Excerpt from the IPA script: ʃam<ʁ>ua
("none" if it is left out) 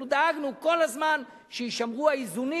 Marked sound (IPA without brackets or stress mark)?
ʁ